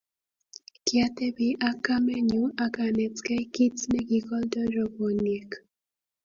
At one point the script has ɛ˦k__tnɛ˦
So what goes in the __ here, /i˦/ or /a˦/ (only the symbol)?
i˦